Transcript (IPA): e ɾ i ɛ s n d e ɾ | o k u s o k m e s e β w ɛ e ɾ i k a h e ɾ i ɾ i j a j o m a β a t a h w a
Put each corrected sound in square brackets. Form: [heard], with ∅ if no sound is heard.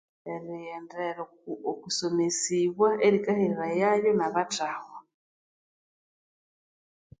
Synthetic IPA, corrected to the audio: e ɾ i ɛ [∅] n d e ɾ | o k u s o [∅] m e s [i] β w [a] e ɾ i k a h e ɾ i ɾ [a] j a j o [n] a β a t a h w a